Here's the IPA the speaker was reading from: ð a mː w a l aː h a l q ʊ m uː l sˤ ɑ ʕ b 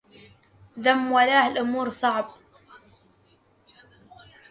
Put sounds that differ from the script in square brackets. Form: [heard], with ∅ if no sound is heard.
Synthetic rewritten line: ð a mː w a l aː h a l [ʔ] ʊ m uː [ɾ] sˤ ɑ ʕ b